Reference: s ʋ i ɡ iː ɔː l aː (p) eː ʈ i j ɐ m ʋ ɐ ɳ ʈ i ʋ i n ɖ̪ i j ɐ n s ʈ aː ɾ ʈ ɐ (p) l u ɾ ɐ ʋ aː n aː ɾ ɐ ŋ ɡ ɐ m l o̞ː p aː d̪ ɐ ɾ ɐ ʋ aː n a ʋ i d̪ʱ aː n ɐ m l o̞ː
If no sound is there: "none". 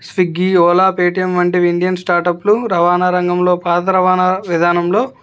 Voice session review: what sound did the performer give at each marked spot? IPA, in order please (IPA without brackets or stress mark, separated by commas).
p, p